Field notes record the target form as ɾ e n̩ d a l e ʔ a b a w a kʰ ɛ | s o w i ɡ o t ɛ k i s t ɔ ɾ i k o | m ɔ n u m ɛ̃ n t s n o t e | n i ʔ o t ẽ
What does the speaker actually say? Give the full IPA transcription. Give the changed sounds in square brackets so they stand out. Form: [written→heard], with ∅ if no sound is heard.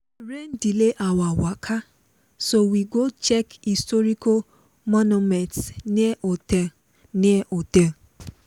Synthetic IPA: ɾ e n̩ d [a→i] l e ʔ a [b→w] a w a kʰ [ɛ→a] | s o w i ɡ o [t→t͡ʃ] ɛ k i s t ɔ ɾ i k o | m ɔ n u m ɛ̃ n t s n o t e | n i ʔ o t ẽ